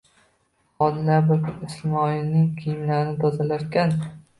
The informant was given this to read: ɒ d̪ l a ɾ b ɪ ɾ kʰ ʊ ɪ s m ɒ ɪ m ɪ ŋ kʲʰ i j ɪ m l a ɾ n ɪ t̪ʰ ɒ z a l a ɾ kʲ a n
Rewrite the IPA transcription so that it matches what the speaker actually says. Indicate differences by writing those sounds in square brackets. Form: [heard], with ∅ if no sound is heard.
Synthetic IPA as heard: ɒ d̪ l a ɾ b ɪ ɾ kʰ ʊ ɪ s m ɒ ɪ [n] ɪ ŋ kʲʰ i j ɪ m l a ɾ n ɪ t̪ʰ ɒ z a l a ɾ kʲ a n